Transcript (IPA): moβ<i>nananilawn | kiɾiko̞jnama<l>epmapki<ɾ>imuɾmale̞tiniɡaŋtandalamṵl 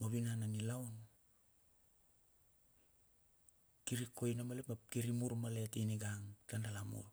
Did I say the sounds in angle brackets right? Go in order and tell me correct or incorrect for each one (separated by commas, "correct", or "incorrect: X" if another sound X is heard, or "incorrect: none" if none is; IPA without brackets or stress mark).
correct, correct, correct